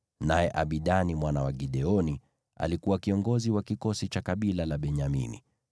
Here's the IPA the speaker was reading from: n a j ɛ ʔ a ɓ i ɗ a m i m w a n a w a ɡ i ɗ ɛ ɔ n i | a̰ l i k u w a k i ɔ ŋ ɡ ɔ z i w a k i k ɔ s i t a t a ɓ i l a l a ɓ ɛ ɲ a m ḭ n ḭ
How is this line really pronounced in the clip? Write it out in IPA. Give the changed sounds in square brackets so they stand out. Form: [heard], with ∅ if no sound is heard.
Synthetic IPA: n a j ɛ ʔ a ɓ i ɗ a [n] i m w a n a w a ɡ i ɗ ɛ ɔ n i | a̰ l i k u w a k i ɔ ŋ ɡ ɔ z i w a k i k ɔ s i [t͡ʃ] a [k] a ɓ i l a l a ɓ ɛ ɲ a m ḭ n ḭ